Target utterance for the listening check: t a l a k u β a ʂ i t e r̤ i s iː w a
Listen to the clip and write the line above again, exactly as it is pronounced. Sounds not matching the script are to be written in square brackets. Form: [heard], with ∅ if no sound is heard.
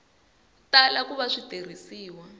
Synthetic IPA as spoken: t a l a k u β a ʂ i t e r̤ i s iː w a